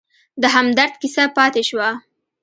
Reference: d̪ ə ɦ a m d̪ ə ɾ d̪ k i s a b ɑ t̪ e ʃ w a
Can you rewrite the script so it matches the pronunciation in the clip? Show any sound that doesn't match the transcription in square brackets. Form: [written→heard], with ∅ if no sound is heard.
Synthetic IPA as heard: d̪ ə ɦ a m d̪ [ə→a] ɾ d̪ k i s a [b→p] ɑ t̪ e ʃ w a